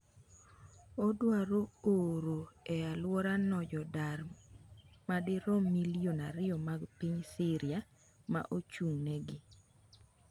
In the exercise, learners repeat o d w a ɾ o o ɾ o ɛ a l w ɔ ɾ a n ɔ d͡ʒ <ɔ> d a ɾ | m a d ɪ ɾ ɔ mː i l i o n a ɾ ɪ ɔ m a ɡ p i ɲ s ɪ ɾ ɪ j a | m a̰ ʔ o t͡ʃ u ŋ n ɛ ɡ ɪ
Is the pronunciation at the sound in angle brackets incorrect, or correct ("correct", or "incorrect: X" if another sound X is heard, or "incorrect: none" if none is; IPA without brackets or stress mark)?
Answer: correct